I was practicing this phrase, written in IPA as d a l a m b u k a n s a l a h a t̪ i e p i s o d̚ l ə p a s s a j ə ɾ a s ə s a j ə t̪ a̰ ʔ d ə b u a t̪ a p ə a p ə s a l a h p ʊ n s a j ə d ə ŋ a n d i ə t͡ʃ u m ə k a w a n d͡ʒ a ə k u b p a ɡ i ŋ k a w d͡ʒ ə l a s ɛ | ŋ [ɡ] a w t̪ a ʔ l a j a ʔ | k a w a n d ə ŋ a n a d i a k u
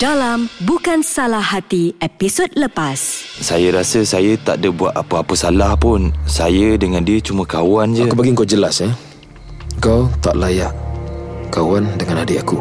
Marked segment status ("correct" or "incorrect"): incorrect